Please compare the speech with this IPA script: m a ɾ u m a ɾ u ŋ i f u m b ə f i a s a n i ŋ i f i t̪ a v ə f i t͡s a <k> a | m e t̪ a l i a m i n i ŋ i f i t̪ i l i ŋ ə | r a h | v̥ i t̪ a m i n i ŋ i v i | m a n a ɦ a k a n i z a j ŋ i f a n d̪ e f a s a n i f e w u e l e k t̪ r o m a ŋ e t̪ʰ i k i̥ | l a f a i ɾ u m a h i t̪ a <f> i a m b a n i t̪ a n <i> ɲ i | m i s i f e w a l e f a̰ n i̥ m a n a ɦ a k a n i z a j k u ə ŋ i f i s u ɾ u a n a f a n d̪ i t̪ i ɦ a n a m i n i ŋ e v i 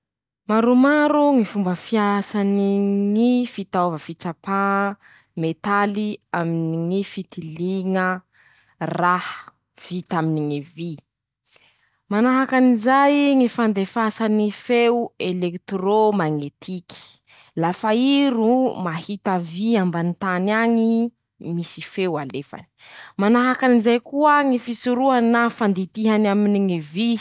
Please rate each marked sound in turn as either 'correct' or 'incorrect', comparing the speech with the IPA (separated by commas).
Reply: incorrect, incorrect, incorrect